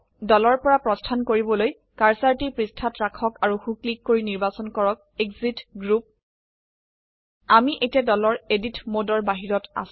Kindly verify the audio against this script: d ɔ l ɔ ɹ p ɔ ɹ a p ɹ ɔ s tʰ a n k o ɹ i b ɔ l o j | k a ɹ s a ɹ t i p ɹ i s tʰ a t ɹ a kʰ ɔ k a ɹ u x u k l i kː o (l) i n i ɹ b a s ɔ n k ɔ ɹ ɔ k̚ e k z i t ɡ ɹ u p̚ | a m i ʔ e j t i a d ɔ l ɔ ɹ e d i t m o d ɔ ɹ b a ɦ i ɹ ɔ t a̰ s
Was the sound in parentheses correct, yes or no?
no